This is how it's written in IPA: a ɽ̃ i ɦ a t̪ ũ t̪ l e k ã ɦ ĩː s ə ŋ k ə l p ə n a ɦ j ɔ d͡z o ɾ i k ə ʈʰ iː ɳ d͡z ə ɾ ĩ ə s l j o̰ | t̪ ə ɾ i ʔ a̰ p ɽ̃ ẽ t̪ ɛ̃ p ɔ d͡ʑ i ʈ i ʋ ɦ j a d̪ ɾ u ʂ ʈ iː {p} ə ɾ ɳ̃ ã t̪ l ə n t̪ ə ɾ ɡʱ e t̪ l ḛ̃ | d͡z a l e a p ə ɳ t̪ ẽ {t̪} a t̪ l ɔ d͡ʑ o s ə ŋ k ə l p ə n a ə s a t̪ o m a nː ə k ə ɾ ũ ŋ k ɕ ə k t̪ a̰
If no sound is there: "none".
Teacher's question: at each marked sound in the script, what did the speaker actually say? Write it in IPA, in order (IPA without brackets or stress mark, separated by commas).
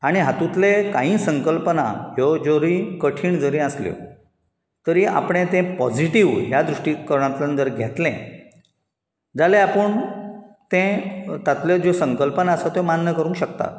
k, t̪